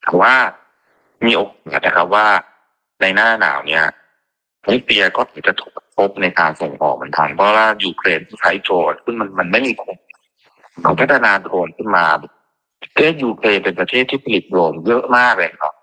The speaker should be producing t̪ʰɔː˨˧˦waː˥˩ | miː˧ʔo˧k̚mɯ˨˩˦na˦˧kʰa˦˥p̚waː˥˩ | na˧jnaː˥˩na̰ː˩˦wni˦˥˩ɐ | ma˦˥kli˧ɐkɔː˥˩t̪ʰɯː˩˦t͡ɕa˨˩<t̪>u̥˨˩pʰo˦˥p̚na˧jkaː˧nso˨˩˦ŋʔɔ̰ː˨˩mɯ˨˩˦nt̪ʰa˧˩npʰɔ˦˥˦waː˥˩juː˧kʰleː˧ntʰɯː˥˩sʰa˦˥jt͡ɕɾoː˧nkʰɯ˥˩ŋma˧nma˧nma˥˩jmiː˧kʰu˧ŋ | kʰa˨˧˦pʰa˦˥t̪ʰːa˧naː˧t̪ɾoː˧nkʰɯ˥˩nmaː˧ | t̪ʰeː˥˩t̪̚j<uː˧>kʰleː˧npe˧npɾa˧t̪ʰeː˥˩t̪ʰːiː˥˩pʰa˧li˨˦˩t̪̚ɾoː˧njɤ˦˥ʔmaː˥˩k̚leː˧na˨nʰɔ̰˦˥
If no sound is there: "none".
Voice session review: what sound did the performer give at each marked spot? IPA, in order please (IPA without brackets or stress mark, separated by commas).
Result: t̪ʰ, uː˧